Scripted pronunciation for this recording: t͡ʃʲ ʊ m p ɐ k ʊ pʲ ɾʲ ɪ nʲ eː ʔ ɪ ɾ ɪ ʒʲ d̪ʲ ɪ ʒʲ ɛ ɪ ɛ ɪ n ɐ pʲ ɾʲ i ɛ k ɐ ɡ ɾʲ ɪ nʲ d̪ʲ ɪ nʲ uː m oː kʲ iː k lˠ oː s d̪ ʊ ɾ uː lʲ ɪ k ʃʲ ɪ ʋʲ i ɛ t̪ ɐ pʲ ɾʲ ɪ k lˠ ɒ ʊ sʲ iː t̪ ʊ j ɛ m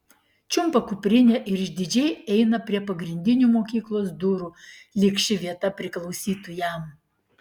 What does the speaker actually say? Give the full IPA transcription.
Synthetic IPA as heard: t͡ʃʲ ʊ m p ɐ k ʊ pʲ ɾʲ ɪ nʲ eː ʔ ɪ ɾ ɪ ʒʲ d̪ʲ ɪ d͡ʒʲ ɛ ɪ ɛ ɪ n ɐ pʲ ɾʲ i ɛ p ɐ ɡ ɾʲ ɪ nʲ d̪ʲ ɪ nʲ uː m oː kʲ iː k lˠ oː s d̪ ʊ ɾ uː lʲ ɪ k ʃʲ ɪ ʋʲ i ɛ t̪ ɐ pʲ ɾʲ ɪ k lˠ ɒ ʊ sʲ iː t̪ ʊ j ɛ m